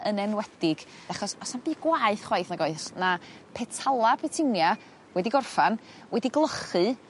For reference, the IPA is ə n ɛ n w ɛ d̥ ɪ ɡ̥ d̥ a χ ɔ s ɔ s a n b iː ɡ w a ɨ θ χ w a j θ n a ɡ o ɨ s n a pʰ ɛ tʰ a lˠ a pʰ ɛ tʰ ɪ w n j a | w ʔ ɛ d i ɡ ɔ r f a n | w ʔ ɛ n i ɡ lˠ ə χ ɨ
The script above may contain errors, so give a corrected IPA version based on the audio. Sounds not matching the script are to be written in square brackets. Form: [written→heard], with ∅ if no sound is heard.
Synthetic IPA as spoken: ə n ɛ n w ɛ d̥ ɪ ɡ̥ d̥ a χ ɔ s ɔ s a n b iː ɡ w a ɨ θ χ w a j θ n a ɡ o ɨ s n a pʰ ɛ tʰ a lˠ a pʰ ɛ tʰ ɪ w n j a | w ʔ ɛ d i ɡ ɔ r f a n | w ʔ ɛ [n→d] i ɡ lˠ ə χ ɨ